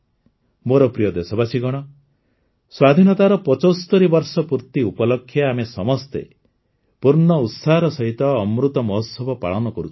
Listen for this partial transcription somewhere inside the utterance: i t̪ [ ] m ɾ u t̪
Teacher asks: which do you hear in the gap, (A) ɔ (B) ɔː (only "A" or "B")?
B